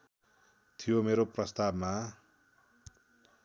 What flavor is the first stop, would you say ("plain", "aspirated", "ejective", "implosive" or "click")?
aspirated